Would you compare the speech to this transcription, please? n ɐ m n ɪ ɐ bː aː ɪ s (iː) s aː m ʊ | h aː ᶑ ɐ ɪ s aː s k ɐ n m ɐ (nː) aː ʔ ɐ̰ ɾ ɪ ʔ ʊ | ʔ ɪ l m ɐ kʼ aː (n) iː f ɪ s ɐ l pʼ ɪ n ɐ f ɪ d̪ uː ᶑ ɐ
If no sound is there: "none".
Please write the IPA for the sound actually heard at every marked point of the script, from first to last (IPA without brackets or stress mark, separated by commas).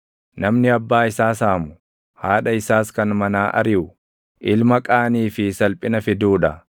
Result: aː, n, n